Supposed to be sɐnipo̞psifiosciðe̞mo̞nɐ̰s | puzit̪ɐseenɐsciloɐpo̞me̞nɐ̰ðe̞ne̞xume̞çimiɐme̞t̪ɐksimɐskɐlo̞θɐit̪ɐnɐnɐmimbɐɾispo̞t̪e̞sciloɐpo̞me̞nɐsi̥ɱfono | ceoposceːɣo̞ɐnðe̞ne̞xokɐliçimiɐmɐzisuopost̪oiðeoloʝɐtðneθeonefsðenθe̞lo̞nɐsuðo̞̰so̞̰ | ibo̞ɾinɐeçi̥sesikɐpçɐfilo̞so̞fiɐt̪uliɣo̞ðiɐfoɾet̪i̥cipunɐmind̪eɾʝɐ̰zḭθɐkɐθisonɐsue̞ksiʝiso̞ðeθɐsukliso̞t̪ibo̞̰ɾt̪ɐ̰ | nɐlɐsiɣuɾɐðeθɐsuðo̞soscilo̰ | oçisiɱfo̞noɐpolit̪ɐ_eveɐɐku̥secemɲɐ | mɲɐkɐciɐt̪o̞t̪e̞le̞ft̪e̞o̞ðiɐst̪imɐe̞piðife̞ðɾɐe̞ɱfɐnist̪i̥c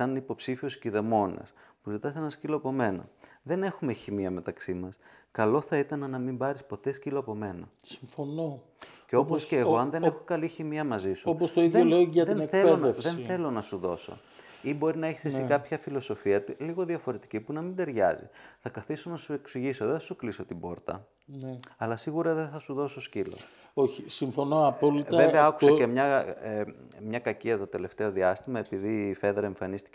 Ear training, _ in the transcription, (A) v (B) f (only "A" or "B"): A